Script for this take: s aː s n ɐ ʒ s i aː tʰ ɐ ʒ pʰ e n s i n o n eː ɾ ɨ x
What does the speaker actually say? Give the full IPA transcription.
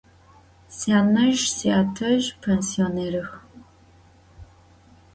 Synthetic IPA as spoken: s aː n ɐ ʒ s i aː tʰ ɐ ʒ pʰ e n s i o n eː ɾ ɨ x